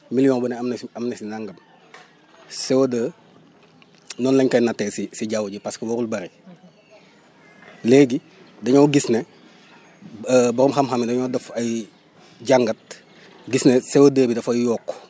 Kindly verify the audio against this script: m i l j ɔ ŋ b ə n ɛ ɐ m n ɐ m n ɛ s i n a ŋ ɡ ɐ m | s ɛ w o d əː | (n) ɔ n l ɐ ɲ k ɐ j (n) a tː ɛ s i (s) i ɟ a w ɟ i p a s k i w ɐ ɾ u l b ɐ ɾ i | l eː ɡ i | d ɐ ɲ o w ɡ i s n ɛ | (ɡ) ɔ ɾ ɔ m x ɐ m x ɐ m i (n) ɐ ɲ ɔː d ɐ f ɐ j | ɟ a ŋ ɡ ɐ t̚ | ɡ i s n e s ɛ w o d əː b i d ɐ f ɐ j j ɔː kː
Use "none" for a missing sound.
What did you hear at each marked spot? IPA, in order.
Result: n, n, s, b, d

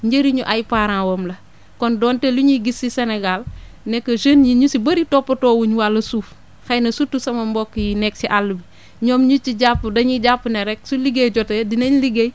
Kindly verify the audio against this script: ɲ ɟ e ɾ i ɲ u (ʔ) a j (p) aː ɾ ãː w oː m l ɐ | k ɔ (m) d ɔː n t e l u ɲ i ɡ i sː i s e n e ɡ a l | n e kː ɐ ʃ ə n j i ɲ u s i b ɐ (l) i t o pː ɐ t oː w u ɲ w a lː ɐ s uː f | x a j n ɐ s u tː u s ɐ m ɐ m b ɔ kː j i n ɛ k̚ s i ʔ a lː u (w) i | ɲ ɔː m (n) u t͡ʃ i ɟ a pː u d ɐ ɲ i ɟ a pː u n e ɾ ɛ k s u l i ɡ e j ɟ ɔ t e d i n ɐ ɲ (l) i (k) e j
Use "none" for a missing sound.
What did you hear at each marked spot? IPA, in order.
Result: ʔ, p, n, ɾ, b, ɲ, l, ɡ

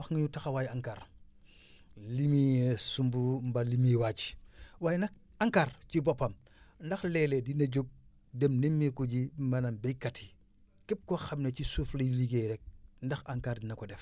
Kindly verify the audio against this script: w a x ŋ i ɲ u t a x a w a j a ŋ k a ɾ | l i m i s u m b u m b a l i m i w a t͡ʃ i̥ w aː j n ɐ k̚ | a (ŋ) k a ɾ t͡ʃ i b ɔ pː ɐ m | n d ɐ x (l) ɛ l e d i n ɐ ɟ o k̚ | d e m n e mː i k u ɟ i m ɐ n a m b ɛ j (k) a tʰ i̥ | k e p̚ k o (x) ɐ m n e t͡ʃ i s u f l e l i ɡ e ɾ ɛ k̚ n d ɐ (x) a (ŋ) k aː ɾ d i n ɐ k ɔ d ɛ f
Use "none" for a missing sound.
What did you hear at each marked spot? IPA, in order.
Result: ŋ, l, k, x, x, ŋ

